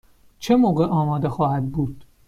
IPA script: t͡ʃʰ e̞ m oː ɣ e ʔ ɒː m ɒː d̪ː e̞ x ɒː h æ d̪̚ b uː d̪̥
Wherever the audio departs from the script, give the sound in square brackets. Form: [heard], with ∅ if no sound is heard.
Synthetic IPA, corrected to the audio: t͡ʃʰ e̞ m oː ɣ e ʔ ɒː m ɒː [d̪] e̞ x ɒː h æ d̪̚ b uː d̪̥